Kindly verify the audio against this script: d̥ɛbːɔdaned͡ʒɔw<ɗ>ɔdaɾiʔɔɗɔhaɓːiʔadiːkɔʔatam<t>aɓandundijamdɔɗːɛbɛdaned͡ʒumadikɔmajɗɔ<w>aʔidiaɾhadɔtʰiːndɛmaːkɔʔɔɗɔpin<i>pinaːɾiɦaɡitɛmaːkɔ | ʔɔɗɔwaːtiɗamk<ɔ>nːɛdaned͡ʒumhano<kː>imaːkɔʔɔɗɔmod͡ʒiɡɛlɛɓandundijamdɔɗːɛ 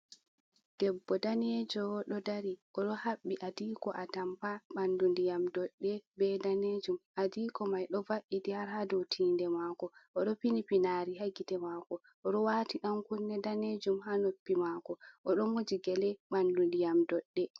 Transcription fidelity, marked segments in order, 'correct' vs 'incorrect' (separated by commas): correct, incorrect, incorrect, correct, incorrect, incorrect